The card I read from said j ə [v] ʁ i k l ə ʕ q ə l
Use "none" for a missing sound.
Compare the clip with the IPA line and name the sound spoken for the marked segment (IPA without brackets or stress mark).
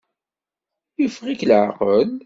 f